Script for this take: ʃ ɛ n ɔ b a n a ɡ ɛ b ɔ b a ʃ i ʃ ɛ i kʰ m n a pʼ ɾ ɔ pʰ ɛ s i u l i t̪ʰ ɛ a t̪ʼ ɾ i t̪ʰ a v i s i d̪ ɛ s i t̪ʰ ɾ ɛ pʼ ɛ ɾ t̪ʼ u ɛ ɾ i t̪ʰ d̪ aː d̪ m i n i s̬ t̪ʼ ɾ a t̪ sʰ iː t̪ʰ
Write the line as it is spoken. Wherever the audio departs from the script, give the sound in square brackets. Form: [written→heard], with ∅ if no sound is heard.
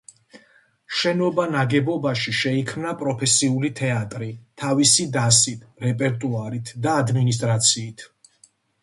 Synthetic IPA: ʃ ɛ n ɔ b a n a ɡ ɛ b ɔ b a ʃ i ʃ ɛ i kʰ m n a pʼ ɾ ɔ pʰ ɛ s i u l i t̪ʰ ɛ a t̪ʼ ɾ i t̪ʰ a v i s i d̪ [ɛ→a] s i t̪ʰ ɾ ɛ pʼ ɛ ɾ t̪ʼ u [ɛ→a] ɾ i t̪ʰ d̪ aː d̪ m i n i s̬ t̪ʼ ɾ a t̪ sʰ iː t̪ʰ